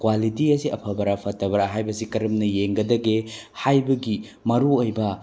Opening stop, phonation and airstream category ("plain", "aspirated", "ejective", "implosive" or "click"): plain